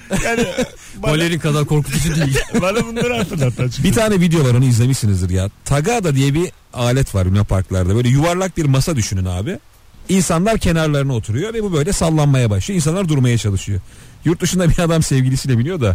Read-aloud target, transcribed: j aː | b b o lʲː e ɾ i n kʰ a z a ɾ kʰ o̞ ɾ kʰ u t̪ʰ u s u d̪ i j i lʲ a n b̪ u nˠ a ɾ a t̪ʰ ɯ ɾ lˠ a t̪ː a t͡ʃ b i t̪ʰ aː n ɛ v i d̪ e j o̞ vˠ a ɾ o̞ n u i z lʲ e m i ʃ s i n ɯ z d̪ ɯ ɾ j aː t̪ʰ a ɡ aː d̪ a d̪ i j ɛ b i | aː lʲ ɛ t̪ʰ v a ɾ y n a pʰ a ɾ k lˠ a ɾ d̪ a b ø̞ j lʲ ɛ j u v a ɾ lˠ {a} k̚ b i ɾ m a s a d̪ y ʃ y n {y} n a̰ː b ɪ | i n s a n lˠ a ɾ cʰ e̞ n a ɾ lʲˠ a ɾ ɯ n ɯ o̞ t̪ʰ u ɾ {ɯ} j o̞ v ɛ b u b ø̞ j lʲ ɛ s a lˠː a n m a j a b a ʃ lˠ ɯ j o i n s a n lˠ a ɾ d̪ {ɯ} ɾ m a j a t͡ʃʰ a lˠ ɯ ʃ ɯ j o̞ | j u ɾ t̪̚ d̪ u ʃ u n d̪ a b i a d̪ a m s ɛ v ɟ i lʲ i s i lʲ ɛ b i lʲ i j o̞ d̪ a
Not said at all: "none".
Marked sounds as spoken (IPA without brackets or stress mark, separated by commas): a, y, u, u